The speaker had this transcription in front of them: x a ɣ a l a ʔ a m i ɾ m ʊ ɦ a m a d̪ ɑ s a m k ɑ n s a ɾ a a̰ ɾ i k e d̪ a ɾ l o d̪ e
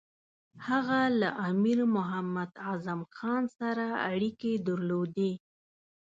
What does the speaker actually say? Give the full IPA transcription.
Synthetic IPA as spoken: h a ɣ a l a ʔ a m i ɾ m ʊ ɦ a m a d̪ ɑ z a m x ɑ n s a ɾ a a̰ ɽ i k e d̪ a ɾ l o d̪ e